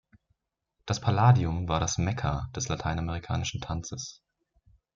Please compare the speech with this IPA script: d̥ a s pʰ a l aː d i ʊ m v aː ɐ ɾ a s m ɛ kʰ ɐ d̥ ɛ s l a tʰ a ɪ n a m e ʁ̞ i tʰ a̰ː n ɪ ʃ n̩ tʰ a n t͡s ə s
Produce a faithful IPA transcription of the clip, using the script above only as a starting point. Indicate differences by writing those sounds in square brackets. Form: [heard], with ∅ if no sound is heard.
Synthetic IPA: d̥ a s pʰ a l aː d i ʊ m v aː ɐ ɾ a s m ɛ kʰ ɐ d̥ ɛ s l a tʰ a ɪ n a m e ʁ̞ i [kʰ] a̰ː n ɪ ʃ n̩ tʰ a n t͡s ə s